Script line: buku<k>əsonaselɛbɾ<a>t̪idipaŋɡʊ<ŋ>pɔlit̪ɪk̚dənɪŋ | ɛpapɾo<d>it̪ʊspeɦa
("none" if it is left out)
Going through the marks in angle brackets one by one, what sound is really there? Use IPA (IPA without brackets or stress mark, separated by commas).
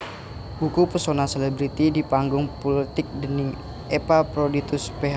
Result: p, i, ŋ, d